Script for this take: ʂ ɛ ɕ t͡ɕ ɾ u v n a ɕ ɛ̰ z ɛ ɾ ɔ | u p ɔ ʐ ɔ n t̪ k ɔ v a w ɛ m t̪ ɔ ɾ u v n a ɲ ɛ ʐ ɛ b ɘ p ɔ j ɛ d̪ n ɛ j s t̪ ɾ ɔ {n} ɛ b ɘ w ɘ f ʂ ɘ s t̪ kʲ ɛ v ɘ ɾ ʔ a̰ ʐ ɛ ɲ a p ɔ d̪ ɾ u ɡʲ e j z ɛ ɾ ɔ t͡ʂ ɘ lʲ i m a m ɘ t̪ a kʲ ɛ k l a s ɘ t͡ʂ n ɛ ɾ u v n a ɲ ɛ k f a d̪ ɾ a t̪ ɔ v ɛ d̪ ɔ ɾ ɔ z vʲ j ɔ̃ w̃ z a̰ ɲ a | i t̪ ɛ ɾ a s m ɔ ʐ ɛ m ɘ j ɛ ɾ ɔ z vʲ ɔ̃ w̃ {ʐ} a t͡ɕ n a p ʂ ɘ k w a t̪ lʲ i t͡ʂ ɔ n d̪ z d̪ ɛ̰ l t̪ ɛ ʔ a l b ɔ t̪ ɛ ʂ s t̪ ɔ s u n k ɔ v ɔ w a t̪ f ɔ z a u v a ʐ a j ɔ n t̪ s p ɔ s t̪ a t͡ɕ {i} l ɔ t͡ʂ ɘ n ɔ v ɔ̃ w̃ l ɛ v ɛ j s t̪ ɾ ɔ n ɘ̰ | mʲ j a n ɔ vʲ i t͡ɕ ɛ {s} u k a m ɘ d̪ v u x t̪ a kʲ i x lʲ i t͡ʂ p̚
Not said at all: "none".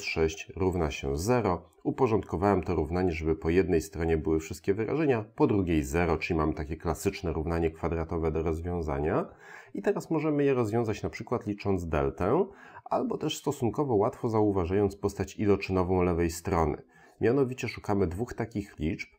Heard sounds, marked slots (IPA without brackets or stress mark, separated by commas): ɲ, z, i, ʂ